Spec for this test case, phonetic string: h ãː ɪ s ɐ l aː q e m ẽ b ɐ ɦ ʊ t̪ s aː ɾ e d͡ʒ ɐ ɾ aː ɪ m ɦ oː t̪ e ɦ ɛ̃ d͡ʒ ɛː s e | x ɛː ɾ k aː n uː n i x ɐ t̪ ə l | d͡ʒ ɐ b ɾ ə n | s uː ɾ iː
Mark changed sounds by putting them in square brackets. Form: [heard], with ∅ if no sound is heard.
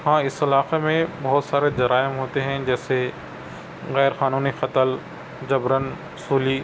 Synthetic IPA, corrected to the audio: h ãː ɪ s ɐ l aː q e m ẽ b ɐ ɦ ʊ t̪ s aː ɾ e d͡ʒ ɐ ɾ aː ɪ m ɦ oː t̪ e ɦ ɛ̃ d͡ʒ ɛː s e | [ɣ] ɛː ɾ [x] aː n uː n i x ɐ t̪ ə l | d͡ʒ ɐ b ɾ ə n | s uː [l] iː